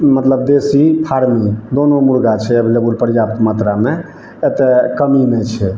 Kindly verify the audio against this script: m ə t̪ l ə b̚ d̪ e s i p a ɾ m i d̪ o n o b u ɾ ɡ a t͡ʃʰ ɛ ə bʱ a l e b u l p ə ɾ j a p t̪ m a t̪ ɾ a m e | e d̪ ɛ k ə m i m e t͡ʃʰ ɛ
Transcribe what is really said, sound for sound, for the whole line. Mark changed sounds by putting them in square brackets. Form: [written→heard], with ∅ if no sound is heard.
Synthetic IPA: m ə t̪ l ə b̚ d̪ e s i [p→pʰ] a ɾ m i d̪ o n o [b→m] u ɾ ɡ a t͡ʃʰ ɛ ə bʱ [a→i] l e b u l p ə ɾ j a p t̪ m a t̪ ɾ a m e | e [d̪→t̪] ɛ k ə m i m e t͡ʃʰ ɛ

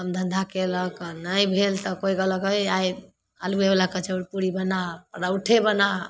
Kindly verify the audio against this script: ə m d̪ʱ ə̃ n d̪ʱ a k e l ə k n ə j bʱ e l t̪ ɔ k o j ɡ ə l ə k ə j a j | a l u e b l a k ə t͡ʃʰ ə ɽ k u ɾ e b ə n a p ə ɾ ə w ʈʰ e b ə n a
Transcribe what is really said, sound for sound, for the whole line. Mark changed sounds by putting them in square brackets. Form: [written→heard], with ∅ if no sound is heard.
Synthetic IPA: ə m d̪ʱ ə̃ n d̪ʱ a k e l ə k n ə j bʱ e l t̪ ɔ k o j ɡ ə l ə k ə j a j | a l u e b l a k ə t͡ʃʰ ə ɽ [k→p] u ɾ [e→i] b ə n a p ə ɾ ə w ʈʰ e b ə n a

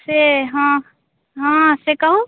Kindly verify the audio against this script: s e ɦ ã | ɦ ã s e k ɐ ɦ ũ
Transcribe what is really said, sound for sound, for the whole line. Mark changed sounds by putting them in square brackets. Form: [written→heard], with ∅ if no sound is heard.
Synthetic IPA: s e ɦ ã | ɦ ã s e k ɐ ɦ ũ

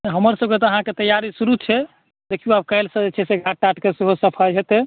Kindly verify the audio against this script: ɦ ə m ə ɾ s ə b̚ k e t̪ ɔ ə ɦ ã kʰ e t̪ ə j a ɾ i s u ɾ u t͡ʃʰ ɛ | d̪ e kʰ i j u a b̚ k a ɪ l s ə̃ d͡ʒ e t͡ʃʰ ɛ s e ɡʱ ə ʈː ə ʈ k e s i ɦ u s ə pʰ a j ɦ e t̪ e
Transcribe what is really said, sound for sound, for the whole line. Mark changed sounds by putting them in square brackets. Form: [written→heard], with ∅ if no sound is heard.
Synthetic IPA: ɦ ə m ə ɾ s ə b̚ k e t̪ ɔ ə ɦ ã [kʰ→k] e t̪ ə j a ɾ i s u ɾ u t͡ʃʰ ɛ | d̪ e kʰ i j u a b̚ k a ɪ l s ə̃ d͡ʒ e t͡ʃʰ ɛ s e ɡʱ [ə→a] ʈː [ə→a] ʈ k e s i ɦ [u→o] s ə pʰ a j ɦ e t̪ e

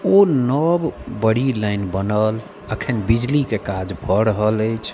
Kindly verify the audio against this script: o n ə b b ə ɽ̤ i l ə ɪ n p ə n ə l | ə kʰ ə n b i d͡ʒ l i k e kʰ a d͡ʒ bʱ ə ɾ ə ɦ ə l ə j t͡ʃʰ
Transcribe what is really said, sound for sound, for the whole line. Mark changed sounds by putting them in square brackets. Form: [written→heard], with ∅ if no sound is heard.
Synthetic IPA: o n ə b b ə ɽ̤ i l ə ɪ n [p→b] ə n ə l | ə kʰ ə n b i d͡ʒ l i k e [kʰ→k] a d͡ʒ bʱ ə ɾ ə ɦ ə l ə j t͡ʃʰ

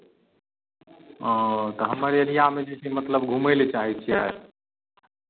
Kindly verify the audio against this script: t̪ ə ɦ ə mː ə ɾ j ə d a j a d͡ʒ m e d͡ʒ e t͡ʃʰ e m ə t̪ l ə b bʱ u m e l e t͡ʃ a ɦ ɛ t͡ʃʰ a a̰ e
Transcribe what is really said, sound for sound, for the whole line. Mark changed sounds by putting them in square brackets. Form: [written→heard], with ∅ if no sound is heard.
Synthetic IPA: t̪ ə ɦ ə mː ə ɾ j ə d [a→i] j a [d͡ʒ→∅] m e d͡ʒ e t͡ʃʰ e m ə t̪ l ə b [bʱ→ɡʱ] u m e l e t͡ʃ a ɦ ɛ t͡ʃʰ [a→i] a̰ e

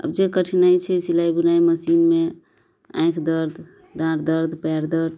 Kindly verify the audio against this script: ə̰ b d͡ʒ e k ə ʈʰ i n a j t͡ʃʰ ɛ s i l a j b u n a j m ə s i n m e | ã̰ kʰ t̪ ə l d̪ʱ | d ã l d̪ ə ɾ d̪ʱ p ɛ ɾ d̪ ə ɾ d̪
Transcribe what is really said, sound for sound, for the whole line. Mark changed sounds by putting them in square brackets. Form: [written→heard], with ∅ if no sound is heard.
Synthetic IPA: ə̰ b d͡ʒ e k ə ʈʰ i n a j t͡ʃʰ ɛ s i l a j b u n a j m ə s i n m e | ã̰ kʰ [t̪→d̪] ə [l→ɾ] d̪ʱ | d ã [l→ɾ] d̪ ə ɾ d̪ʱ p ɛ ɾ d̪ ə ɾ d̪

